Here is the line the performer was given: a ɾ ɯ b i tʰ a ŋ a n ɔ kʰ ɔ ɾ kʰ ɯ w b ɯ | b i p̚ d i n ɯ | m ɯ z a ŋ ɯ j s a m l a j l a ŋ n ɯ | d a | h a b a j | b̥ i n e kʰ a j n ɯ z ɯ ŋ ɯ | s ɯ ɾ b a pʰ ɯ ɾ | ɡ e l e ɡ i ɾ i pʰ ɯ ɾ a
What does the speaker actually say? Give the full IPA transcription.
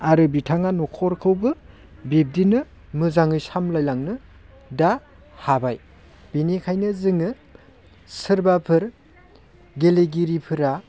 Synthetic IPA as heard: a ɾ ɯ b i tʰ a ŋ a n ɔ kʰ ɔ ɾ kʰ ɯ w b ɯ | b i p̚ d i n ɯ | m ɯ z a ŋ ɯ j s a m l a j l a ŋ n ɯ | d a | h a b a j | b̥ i n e kʰ a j n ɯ z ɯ ŋ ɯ | s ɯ ɾ b a pʰ ɯ ɾ | ɡ e l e ɡ i ɾ i pʰ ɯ ɾ a